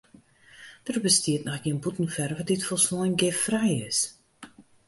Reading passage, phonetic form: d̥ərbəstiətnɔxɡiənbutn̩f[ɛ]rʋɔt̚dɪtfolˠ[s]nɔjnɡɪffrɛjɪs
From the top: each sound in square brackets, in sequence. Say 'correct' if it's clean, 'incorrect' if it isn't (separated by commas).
correct, correct